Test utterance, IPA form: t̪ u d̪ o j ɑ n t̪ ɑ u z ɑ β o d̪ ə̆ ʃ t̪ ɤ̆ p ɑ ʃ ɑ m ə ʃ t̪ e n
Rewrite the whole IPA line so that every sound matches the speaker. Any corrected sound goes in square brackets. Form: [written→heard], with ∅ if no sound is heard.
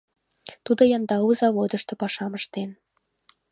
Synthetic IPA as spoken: t̪ u d̪ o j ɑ n [t̪→d̪] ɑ u z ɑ β o d̪ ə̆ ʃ t̪ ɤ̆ p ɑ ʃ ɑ m ə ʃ t̪ e n